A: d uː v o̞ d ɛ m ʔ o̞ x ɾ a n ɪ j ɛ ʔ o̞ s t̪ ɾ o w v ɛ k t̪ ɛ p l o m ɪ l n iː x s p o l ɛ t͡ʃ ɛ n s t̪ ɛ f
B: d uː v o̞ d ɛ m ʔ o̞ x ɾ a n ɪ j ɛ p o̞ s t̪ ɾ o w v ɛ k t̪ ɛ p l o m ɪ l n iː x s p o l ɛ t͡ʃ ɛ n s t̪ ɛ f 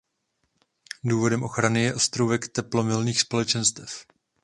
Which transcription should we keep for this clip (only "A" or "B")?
A